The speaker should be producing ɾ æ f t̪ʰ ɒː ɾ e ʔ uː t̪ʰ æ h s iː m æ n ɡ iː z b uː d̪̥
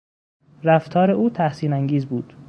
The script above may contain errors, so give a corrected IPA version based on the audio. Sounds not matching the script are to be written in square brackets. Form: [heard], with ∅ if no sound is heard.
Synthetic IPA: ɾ æ f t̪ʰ ɒː ɾ e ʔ uː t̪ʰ æ h s iː [n] æ [ŋ] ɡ iː z b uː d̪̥